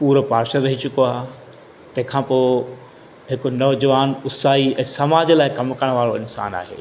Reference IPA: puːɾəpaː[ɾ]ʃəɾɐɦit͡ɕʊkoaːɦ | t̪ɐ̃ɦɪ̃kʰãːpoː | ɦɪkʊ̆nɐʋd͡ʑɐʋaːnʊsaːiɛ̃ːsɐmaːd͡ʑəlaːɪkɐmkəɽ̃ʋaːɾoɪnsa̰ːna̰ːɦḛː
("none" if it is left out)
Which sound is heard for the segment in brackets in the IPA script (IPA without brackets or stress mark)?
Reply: ɾ